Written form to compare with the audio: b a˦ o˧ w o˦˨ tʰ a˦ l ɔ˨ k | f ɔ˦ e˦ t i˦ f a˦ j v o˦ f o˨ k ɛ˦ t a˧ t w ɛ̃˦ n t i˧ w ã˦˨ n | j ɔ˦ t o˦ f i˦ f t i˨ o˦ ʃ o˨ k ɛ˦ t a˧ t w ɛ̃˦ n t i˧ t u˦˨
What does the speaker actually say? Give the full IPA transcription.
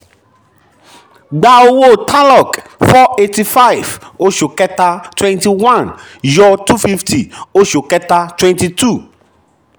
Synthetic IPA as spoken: ɡ͡b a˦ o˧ w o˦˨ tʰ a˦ l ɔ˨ k | f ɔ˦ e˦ t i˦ f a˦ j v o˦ ʃ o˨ k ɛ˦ t a˧ t w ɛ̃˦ n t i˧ w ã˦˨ n | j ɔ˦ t u˦ f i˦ f t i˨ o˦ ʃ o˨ k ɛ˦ t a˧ t w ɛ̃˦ n t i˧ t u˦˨